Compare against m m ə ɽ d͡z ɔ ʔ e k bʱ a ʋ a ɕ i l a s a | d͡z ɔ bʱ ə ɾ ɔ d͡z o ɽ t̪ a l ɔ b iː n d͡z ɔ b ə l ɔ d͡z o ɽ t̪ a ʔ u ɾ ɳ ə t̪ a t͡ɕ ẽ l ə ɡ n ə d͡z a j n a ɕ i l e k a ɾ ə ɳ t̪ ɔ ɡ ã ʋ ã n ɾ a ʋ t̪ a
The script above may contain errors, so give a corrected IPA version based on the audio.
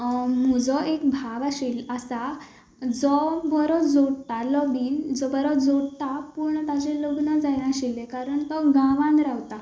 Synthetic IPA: m m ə d͡z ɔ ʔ e k bʱ a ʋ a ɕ i l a s a | d͡z ɔ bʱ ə ɾ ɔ d͡z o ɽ t̪ a l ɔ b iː n d͡z ɔ b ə ɾ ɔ d͡z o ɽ t̪ a p u ɾ ɳ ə t̪ a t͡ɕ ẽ l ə ɡ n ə d͡z a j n a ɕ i l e k a ɾ ə ɳ t̪ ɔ ɡ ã ʋ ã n ɾ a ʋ t̪ a